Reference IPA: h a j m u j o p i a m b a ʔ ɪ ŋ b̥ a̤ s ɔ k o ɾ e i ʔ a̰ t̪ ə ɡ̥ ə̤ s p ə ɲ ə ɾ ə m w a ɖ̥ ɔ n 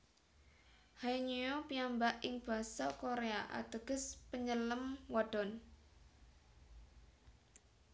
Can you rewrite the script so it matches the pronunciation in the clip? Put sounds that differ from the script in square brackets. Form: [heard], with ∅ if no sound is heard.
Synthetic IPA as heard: h a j [ɲ] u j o p i a m b a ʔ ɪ ŋ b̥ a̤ s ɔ k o ɾ e [a] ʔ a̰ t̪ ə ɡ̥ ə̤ s p ə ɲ ə [l] ə m w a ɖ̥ ɔ n